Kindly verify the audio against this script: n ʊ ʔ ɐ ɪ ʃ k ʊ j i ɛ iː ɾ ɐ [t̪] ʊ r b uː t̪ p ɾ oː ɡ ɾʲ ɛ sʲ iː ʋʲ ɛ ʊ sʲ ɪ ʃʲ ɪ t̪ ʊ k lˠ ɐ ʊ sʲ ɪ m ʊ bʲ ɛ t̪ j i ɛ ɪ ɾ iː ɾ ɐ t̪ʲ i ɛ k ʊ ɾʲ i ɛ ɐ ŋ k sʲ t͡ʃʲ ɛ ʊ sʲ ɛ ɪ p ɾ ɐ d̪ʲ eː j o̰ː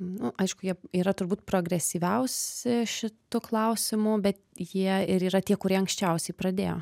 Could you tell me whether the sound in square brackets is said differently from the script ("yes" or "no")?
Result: no